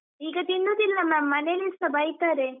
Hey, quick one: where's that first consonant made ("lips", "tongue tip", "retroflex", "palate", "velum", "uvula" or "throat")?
velum